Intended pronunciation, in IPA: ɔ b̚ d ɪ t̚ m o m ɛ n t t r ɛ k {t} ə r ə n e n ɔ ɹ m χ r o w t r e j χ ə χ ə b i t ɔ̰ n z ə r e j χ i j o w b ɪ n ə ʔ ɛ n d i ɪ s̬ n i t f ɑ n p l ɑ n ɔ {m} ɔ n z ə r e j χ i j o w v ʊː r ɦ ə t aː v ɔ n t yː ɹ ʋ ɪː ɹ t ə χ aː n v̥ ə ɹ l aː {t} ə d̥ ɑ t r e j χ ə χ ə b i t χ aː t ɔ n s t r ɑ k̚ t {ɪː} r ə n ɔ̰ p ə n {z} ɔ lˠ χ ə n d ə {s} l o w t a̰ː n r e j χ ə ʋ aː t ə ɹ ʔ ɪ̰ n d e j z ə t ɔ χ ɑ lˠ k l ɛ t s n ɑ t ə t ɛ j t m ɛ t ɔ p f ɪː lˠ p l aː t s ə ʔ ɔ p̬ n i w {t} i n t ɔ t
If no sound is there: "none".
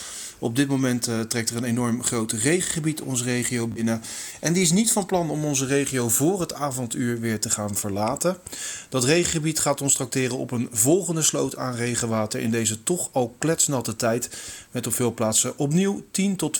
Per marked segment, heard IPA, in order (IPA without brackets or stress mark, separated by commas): t, m, t, ɪː, v, s, t